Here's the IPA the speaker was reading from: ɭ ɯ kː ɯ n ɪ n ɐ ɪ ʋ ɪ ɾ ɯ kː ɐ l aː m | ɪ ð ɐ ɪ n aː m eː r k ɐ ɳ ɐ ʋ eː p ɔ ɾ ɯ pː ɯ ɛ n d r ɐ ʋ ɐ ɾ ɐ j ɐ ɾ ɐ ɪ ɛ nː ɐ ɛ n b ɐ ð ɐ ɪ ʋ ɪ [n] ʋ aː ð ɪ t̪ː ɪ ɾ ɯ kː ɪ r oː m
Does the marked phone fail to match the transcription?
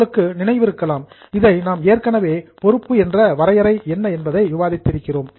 yes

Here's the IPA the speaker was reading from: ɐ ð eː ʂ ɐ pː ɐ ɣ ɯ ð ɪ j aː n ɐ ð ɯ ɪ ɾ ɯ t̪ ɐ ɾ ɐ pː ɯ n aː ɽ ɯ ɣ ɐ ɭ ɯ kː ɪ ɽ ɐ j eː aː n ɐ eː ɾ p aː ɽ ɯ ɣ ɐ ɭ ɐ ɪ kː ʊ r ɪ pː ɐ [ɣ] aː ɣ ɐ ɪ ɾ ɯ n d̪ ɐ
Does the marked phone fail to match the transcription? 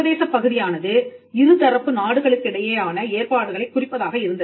yes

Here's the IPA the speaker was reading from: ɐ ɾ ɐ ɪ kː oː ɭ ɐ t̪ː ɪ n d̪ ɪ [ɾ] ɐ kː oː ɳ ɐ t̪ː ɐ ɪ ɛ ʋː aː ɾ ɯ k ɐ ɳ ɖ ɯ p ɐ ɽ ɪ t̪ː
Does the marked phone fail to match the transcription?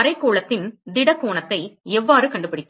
yes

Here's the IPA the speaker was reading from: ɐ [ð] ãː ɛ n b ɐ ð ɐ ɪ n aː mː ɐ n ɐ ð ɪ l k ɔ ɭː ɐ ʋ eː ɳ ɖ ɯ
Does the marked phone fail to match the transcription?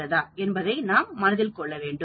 no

